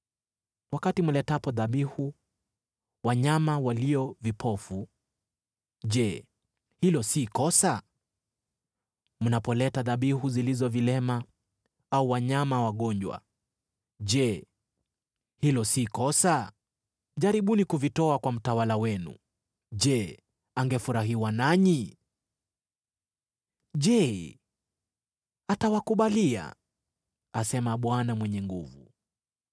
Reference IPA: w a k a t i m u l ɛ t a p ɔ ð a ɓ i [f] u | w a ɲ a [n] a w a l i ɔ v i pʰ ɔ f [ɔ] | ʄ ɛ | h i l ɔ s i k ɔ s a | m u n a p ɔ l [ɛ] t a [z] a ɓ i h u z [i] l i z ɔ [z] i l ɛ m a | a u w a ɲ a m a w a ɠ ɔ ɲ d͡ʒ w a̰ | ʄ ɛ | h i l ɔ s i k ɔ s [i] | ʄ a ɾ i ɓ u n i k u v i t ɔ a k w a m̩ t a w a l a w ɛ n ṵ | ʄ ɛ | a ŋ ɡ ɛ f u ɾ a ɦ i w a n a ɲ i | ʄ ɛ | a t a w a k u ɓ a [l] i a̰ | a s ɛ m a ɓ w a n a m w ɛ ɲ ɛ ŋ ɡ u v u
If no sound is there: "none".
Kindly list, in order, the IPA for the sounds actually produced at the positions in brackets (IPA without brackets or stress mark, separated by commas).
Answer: h, m, u, ɛ, ð, i, v, a, l